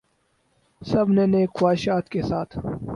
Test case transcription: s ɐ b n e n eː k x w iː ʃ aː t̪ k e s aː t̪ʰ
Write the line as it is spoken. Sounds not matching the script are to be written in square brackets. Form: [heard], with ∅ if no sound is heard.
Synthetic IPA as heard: s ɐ b n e n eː k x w [aː] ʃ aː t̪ k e s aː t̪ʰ